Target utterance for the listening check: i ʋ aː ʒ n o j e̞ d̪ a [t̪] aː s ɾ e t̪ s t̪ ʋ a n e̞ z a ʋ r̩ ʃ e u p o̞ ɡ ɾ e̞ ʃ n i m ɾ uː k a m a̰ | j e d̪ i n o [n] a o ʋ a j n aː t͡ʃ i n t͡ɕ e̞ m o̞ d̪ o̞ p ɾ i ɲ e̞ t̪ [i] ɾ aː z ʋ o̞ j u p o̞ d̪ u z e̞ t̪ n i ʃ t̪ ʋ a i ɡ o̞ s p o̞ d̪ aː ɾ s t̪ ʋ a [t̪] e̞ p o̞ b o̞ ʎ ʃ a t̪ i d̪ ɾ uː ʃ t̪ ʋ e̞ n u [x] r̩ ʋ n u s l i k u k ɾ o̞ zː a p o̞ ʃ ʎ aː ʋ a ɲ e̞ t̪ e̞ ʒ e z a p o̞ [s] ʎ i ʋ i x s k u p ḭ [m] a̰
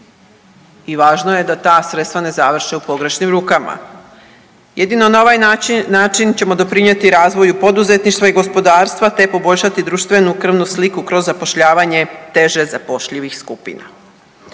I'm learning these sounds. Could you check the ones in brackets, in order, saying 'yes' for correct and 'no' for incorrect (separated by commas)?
yes, yes, yes, yes, no, no, no